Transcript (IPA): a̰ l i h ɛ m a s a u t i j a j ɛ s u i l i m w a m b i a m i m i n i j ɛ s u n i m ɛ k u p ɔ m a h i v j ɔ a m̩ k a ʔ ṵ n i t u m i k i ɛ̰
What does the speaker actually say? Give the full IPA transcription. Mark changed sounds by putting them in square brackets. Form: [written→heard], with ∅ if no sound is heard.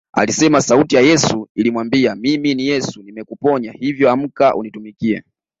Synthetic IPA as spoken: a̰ l i [h→s] ɛ m a s a u t i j a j ɛ s u i l i m w a m b i a m i m i n i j ɛ s u n i m ɛ k u p ɔ [m→ɲ] a h i v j ɔ a m̩ k a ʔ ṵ n i t u m i k i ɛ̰